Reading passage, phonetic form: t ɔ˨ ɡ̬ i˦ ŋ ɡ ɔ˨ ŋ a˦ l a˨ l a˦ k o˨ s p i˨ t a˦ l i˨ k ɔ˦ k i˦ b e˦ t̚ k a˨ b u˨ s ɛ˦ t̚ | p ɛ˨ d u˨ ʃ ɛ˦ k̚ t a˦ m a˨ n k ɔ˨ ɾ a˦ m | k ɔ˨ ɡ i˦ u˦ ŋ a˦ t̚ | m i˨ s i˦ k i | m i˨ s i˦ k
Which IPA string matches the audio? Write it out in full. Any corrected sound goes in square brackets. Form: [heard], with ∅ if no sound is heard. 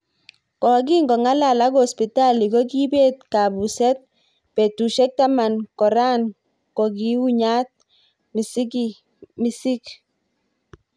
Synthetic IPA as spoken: [k] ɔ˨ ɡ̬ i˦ ŋ ɡ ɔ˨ ŋ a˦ l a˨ l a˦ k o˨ s p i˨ t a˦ l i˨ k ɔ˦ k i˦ b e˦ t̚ k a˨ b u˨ s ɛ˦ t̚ | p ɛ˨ [t] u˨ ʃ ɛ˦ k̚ t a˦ m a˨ n k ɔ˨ ɾ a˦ [n] | k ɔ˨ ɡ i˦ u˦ [ɲ] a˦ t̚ | m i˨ s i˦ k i | m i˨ s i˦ k